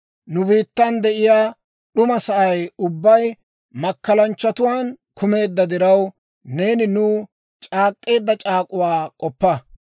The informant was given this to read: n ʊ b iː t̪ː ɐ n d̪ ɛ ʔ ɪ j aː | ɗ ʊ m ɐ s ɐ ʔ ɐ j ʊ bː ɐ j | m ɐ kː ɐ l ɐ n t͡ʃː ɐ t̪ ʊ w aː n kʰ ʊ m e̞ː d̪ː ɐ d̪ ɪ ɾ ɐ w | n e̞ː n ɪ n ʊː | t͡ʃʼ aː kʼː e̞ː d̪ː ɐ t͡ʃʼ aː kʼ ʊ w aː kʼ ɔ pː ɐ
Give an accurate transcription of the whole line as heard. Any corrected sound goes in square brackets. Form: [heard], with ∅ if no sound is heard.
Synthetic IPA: n ʊ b iː t̪ː ɐ n d̪ ɛ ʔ ɪ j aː | ɗ ʊ m ɐ s ɐ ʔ ɐ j ʊ bː ɐ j | m ɐ kː ɐ l ɐ n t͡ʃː ɐ t̪ ʊ w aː n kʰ ʊ m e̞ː d̪ː ɐ d̪ ɪ ɾ ɐ w | n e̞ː n ɪ n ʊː | t͡ʃʼ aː kʼː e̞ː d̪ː ɐ t͡ʃʼ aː kʼ ʊ w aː kʼ ɔ pː ɐ

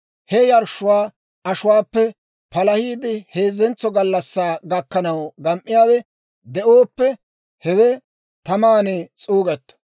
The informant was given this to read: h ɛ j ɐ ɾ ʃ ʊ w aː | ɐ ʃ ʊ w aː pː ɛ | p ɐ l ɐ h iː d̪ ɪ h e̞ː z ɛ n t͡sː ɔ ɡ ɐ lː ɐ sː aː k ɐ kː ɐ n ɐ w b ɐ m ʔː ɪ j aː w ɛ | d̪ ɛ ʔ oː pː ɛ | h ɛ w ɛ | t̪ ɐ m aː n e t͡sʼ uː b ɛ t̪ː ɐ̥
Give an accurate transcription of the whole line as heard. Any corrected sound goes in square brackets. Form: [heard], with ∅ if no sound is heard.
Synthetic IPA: h ɛ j ɐ ɾ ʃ ʊ w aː | ɐ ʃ ʊ w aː pː ɛ | p ɐ l ɐ h iː d̪ ɪ h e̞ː z ɛ n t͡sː ɔ ɡ ɐ lː ɐ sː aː [ɡ] ɐ kː ɐ n ɐ w [ɡ] ɐ m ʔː ɪ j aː w ɛ | d̪ ɛ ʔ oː pː ɛ | h ɛ w ɛ | t̪ ɐ m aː n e t͡sʼ uː [ɡ] ɛ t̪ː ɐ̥

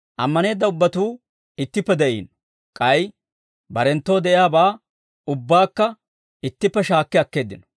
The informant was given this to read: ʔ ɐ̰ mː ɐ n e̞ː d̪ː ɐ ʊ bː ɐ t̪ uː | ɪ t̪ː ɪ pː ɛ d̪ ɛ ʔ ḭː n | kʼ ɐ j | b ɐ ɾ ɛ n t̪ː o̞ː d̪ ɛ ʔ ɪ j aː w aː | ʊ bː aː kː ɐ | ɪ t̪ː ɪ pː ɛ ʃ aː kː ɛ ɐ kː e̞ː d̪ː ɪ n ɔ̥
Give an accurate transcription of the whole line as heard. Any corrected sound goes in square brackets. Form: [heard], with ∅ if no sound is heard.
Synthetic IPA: ʔ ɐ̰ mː ɐ n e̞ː d̪ː ɐ ʊ bː ɐ t̪ uː | ɪ t̪ː ɪ pː ɛ d̪ ɛ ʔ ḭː n | kʼ ɐ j | b ɐ ɾ ɛ n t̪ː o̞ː d̪ ɛ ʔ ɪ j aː [b] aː | ʊ bː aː kː ɐ | ɪ t̪ː ɪ pː ɛ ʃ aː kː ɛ ɐ kː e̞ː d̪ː ɪ n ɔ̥

